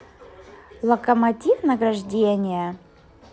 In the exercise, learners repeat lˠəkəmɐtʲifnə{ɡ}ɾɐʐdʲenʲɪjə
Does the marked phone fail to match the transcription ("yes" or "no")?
no